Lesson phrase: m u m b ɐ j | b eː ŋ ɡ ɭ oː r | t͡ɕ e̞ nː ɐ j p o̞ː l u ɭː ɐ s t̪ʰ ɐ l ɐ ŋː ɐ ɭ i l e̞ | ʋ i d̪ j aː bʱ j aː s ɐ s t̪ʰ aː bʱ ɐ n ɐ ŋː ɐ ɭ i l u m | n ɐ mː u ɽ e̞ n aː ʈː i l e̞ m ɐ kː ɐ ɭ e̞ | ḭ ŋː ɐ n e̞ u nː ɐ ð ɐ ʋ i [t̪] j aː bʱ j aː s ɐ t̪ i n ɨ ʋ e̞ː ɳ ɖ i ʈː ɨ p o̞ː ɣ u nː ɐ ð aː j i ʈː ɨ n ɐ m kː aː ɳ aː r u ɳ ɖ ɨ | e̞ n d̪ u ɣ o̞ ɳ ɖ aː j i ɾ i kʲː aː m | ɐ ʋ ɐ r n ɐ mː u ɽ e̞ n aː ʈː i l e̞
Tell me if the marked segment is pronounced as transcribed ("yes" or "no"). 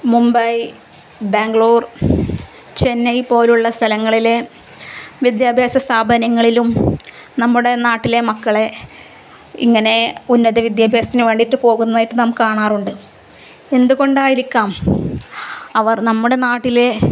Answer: no